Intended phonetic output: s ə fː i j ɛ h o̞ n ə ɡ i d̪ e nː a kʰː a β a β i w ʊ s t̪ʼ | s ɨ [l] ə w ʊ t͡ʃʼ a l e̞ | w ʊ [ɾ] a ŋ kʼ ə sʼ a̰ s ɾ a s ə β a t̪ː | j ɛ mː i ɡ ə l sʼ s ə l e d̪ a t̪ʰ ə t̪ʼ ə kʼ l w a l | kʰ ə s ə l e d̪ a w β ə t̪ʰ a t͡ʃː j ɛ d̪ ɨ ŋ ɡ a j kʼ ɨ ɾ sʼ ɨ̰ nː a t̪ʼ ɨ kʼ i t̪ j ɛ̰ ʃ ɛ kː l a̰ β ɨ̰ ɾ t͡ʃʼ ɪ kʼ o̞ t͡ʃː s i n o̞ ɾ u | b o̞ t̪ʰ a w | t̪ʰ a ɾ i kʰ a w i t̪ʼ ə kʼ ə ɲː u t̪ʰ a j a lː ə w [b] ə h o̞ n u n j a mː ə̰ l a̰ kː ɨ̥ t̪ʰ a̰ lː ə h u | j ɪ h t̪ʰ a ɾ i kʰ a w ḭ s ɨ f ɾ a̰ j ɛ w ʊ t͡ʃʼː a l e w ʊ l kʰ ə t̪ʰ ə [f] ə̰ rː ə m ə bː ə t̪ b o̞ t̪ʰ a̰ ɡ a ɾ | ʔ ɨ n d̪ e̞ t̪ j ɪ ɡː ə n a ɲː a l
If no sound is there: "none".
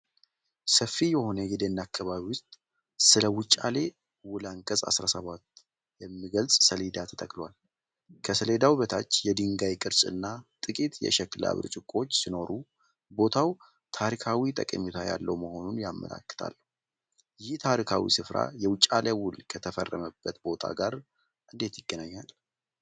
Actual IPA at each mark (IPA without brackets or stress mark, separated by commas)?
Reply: l, l, m, f